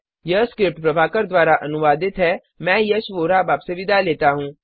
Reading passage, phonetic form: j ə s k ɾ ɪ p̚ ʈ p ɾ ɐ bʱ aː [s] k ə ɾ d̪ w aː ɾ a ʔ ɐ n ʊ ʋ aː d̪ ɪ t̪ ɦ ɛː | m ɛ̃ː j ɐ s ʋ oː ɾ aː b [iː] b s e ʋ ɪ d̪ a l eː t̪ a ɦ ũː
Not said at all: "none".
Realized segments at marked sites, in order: none, aː

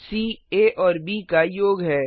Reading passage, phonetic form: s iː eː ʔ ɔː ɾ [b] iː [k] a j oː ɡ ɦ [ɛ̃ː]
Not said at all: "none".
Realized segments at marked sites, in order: b, k, ɛː

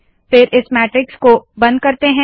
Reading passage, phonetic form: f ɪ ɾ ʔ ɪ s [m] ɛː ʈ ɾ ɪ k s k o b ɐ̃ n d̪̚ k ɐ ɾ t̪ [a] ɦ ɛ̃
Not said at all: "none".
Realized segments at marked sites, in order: m, e

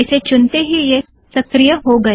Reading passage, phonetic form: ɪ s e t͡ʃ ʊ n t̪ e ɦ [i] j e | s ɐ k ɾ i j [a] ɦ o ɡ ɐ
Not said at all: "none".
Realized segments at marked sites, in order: i, ə

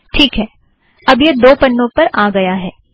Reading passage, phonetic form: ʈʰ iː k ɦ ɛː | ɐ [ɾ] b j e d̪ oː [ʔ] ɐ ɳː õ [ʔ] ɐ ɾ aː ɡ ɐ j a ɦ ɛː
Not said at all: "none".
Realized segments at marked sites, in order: none, p, p

